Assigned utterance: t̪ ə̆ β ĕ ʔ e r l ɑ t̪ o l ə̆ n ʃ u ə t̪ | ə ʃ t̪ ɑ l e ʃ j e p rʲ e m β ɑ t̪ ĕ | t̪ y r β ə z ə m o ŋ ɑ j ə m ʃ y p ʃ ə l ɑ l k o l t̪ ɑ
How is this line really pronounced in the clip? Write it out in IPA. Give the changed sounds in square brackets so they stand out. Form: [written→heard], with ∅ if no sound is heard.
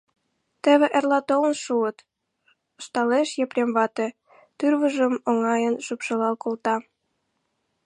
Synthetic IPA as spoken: t̪ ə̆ β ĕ ʔ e r l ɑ t̪ o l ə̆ n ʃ u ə t̪ | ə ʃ t̪ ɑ l e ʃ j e p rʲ e m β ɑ t̪ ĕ | t̪ y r β ə [z→ʒ] ə m o ŋ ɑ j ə [m→n] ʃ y p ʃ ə l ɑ l k o l t̪ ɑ

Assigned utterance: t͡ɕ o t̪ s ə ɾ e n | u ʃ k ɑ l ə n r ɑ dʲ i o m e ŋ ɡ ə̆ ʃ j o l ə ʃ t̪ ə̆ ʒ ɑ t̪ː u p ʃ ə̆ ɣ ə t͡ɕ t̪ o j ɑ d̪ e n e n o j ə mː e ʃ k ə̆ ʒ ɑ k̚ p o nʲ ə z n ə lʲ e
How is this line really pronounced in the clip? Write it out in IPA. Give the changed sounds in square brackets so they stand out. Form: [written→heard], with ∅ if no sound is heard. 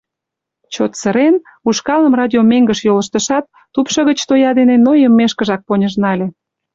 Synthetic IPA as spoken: t͡ɕ o t̪ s ə ɾ e n | u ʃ k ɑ l ə [n→m] r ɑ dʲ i o m e ŋ ɡ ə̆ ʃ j o l ə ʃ t̪ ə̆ [ʒ→ʃ] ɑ t̪ː u p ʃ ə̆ ɣ ə t͡ɕ t̪ o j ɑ d̪ e n e n o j ə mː e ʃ k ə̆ ʒ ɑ k̚ p o nʲ ə [z→ʒ] n [ə→ɑ] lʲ e

